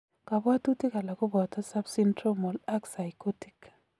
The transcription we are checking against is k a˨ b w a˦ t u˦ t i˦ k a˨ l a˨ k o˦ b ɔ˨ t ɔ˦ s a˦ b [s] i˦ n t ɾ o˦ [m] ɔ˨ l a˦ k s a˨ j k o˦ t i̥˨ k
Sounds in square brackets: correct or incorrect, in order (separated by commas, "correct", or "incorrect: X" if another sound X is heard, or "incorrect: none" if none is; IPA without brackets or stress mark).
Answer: correct, correct